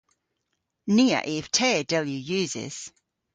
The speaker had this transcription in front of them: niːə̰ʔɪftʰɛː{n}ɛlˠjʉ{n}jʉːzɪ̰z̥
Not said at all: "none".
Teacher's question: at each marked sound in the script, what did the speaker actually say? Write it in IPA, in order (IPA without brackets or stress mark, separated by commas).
d, none